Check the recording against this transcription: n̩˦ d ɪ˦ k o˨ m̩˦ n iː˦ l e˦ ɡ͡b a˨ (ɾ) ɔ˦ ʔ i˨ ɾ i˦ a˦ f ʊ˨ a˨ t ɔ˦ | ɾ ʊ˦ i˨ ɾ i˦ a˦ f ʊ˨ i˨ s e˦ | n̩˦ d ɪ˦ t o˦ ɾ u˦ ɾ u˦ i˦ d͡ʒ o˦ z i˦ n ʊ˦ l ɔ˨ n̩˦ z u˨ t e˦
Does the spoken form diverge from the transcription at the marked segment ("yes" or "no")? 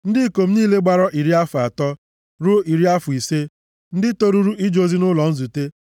no